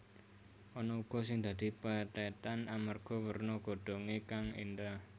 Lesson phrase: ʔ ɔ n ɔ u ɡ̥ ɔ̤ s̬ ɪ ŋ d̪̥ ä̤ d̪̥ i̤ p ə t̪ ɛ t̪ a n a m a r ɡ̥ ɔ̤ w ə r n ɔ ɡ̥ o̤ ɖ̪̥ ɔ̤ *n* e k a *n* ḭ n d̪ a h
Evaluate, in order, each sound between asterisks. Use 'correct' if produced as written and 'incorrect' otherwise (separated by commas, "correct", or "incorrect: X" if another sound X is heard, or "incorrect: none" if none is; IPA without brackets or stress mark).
incorrect: ŋ, incorrect: ŋ